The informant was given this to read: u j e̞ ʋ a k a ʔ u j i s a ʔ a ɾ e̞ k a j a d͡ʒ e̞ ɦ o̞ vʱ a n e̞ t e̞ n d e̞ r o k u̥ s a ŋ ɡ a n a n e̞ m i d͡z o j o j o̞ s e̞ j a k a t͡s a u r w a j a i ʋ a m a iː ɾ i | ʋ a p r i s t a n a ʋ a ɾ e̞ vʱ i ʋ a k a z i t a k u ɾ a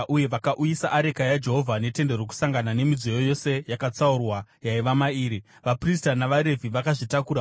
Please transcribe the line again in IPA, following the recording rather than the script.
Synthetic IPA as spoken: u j e̞ ʋ a k a ʔ u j i s a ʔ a ɾ e̞ k a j a d͡ʒ e̞ ɦ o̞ vʱ a n e̞ t e̞ n d e̞ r o k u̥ s a ŋ ɡ a n a n e̞ m i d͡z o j o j o̞ s e̞ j a k a t͡s a u r w a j a i ʋ a m a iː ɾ i | ʋ a p r i s t a n a ʋ a ɾ e̞ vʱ i ʋ a k a ʐ i t a k u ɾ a